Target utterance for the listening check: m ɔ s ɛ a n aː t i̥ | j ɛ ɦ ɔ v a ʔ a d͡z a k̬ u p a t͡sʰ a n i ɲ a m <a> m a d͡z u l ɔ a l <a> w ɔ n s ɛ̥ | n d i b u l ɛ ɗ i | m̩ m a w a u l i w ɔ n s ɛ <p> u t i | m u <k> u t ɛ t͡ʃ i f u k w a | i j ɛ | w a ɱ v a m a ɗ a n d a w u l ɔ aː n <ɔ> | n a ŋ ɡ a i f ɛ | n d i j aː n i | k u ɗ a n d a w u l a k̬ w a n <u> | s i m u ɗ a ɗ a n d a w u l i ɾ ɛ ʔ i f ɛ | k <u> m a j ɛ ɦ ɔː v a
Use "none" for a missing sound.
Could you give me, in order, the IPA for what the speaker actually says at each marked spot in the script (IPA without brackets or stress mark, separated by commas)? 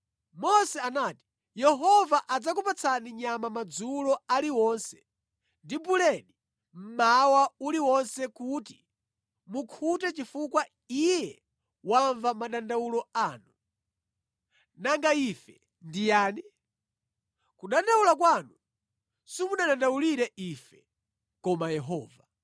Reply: a, i, k, kʰ, u, u, ɔ